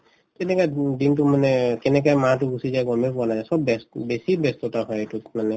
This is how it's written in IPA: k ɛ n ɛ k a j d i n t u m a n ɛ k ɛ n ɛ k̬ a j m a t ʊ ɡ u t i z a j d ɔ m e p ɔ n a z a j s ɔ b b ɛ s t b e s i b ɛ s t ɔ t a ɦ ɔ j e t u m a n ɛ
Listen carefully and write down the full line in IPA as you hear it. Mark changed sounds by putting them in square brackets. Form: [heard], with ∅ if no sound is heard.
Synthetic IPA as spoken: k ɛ n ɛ k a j d i n t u m a n ɛ k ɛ n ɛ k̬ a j m a t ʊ ɡ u [s] i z a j [ɡ] ɔ m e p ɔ n a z a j s ɔ b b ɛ s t b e s i b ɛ s t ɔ t a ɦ ɔ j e t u m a n ɛ

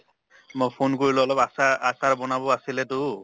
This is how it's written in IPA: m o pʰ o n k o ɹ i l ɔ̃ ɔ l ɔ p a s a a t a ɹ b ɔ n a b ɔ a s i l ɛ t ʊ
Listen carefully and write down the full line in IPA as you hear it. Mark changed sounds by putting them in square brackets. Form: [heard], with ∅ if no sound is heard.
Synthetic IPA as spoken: m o pʰ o n k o ɹ i l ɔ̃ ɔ l ɔ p a s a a [s] a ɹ b ɔ n a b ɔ a s i l ɛ t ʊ

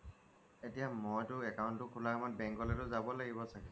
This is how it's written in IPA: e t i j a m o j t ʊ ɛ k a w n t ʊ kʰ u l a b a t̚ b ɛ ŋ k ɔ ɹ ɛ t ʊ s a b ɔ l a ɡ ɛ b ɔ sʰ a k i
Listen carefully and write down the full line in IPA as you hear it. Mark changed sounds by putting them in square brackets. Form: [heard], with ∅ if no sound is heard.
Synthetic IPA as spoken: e t i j a m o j t ʊ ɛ k a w n t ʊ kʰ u l a [m] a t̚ b ɛ ŋ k ɔ [l] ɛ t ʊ [z] a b ɔ l a ɡ [i] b ɔ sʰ a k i

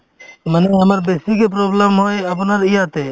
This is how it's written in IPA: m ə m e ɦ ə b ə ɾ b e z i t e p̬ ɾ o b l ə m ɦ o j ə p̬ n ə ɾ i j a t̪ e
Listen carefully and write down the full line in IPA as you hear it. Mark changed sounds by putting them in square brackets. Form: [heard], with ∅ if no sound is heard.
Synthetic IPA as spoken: m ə [n] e ɦ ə [m] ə ɾ b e [s] i [k] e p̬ ɾ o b l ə m ɦ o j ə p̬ n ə ɾ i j a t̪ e

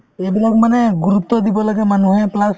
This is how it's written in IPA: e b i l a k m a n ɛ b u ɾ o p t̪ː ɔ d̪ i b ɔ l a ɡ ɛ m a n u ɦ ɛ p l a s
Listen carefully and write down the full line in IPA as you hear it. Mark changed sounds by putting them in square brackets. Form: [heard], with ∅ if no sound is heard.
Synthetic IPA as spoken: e b i l a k m a n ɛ [ɡ] u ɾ [u] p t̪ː ɔ d̪ i b ɔ l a ɡ ɛ m a n u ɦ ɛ p l a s

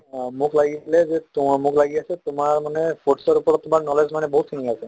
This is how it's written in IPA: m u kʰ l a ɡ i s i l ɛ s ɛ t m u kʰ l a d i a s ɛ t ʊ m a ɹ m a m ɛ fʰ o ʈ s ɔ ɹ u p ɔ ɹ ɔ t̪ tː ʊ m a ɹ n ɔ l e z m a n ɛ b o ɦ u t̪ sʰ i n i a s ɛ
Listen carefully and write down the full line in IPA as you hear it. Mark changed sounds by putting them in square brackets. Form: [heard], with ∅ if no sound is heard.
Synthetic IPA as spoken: m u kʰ l a ɡ i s i l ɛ [z] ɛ t m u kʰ l a [ɡ] i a s ɛ t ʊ m a ɹ m a [n] ɛ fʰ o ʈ s ɔ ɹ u p ɔ ɹ ɔ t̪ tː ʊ m a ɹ n ɔ l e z m a n ɛ b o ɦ u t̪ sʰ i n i a s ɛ

